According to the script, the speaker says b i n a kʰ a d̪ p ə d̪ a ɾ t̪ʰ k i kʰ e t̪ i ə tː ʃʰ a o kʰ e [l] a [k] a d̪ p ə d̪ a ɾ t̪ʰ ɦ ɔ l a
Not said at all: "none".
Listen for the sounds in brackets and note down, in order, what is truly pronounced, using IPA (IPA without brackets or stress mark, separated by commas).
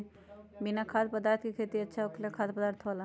l, kʰ